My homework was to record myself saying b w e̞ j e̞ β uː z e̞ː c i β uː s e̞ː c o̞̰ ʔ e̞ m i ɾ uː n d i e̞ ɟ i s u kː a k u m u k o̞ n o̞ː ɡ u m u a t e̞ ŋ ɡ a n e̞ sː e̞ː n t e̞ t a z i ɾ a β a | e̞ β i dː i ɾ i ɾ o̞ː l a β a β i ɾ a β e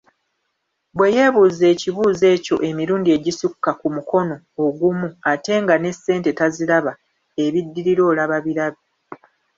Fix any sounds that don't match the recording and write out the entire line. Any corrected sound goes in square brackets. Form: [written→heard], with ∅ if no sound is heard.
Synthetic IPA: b w e̞ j e̞ β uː z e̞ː c i β uː [s→z] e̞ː c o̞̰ ʔ e̞ m i ɾ uː n d i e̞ ɟ i s u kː a k u m u k o̞ n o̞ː ɡ u m u a t e̞ ŋ ɡ a n e̞ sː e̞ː n t e̞ t a z i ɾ a β a | e̞ β i dː i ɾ i ɾ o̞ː l a β a β i ɾ a β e